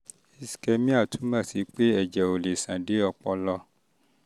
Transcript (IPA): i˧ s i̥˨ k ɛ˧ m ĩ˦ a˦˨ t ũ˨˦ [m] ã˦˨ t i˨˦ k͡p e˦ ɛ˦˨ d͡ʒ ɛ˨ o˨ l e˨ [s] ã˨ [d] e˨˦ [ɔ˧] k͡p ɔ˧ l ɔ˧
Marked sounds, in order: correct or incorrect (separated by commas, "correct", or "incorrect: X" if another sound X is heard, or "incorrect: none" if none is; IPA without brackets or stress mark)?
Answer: correct, correct, correct, correct